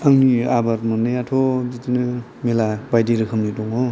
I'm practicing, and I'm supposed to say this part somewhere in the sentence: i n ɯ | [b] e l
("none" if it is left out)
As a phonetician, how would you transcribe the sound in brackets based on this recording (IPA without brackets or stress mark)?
m